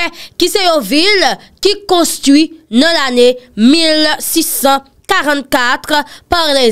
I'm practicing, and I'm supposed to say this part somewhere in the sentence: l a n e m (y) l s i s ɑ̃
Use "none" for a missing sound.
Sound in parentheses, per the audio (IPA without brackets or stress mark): i